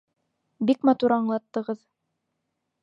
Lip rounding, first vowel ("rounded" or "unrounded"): unrounded